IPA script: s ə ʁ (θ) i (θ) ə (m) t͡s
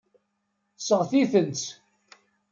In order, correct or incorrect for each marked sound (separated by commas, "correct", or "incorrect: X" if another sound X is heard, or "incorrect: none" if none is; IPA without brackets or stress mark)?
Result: correct, correct, incorrect: n